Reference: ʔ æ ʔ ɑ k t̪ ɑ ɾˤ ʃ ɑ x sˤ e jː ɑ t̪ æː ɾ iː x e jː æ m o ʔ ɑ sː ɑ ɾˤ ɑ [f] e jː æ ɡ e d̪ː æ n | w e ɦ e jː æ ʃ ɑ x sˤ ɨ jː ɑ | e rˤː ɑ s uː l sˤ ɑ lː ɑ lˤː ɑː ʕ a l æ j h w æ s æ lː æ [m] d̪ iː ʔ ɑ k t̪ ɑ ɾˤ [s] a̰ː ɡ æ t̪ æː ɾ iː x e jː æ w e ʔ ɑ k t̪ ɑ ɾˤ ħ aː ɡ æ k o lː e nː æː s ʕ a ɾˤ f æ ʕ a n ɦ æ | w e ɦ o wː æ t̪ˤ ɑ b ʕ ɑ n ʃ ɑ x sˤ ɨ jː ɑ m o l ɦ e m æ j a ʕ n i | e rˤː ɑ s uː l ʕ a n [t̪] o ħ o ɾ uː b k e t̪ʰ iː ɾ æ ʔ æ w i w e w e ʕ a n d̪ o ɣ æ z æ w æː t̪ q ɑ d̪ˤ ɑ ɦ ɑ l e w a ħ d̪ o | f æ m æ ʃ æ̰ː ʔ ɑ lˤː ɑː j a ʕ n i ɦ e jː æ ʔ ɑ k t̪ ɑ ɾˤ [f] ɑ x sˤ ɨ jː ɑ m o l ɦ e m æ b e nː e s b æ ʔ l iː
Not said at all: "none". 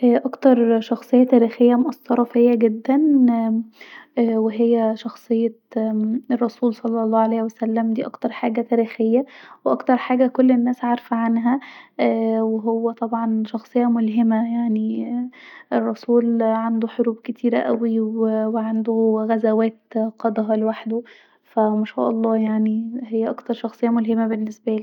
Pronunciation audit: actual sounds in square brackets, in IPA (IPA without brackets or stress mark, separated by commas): f, m, ħ, d̪, ʃ